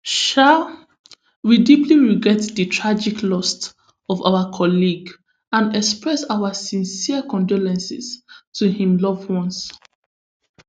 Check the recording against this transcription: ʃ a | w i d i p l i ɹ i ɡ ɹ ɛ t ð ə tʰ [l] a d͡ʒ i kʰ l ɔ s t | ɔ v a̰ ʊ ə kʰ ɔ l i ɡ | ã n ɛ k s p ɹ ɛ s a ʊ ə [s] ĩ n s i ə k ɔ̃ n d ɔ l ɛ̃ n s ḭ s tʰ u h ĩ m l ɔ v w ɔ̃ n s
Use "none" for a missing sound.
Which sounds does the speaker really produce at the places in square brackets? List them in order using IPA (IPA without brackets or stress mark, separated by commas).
ɹ, s